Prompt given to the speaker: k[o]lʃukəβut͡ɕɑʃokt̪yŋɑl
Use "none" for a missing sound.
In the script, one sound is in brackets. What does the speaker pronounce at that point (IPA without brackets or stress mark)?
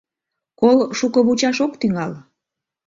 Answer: o